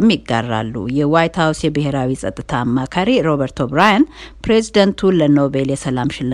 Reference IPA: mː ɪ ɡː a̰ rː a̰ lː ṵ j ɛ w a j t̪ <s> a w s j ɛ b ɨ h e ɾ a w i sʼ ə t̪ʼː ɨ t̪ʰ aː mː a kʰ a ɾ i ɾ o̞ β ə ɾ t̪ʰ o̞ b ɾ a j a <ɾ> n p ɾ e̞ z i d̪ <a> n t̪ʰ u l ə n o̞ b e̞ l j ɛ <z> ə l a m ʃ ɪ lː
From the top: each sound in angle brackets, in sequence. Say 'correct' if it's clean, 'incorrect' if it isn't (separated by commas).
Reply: incorrect, incorrect, incorrect, incorrect